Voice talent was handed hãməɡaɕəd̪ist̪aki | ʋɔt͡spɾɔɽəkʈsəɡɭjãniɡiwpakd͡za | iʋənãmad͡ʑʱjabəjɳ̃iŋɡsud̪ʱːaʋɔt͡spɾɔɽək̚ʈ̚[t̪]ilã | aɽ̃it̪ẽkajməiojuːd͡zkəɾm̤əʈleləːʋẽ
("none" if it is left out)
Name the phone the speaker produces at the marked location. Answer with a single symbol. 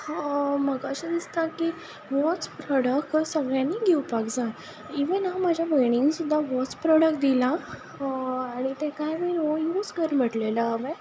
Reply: d̪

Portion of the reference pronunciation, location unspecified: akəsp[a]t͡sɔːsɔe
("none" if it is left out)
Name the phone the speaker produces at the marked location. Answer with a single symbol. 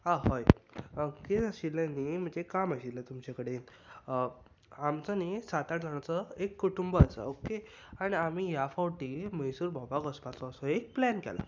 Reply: a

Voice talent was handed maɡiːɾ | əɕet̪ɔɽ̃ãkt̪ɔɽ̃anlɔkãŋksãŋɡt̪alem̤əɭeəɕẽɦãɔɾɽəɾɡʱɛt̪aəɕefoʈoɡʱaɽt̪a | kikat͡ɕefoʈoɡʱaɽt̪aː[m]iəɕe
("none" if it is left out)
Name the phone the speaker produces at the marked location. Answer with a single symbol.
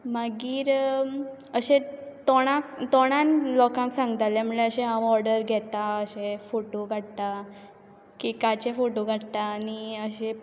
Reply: n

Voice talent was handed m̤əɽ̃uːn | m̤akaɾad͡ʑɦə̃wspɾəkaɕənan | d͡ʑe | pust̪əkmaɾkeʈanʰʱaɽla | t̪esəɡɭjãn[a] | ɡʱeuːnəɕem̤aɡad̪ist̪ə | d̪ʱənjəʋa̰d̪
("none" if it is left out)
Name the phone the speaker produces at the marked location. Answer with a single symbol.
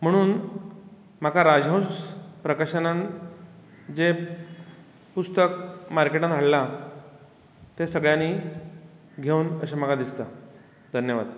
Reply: i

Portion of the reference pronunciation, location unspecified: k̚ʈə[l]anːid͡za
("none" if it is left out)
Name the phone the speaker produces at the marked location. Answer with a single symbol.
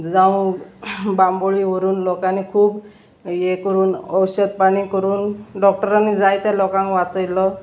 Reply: ɾ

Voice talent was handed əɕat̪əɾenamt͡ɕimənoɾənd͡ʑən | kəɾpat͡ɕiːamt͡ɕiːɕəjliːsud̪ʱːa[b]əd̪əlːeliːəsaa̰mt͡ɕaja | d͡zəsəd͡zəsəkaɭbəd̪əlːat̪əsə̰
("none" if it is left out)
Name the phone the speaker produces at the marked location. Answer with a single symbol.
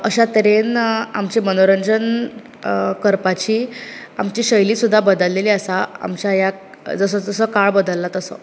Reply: b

